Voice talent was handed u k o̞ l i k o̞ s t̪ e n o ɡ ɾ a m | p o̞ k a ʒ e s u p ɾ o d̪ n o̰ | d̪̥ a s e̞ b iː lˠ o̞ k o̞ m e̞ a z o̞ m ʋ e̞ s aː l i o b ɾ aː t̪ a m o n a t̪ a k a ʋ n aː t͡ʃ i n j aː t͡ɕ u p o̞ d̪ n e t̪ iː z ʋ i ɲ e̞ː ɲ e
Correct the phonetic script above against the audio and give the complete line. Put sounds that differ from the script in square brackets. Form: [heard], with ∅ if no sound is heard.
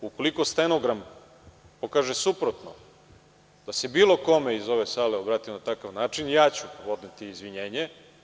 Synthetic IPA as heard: u k o̞ l i k o̞ s t̪ e n o ɡ ɾ a m | p o̞ k a ʒ e s u p ɾ o [t̪] n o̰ | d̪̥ a s e̞ b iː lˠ o̞ k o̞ m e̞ [i] z o̞ [∅] ʋ e̞ s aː l [e] o b ɾ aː t̪ [i] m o n a t̪ a k a ʋ n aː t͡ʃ i n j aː t͡ɕ u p o̞ d̪ n e t̪ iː z ʋ i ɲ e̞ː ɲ e